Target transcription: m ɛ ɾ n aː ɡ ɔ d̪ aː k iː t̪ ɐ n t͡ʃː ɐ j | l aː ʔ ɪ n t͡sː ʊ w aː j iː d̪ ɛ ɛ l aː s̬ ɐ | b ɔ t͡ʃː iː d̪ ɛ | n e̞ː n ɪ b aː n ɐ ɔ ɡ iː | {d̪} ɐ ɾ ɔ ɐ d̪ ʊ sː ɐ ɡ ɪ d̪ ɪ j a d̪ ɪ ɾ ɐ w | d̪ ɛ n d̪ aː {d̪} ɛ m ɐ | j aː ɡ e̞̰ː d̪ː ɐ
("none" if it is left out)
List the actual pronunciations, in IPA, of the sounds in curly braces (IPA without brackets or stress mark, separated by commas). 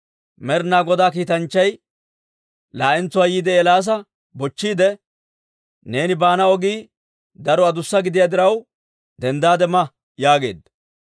d̪, d̪